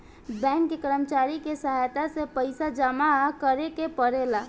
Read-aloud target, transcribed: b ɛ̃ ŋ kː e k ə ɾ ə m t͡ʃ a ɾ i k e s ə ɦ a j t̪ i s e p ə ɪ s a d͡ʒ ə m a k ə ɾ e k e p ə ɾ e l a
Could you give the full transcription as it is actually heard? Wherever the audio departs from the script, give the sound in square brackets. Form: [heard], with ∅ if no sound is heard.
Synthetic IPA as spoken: b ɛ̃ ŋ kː e k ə ɾ ə m t͡ʃ a ɾ i k e s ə ɦ a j t̪ [a] s e p ə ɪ s a d͡ʒ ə m a k ə ɾ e k e p ə ɾ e l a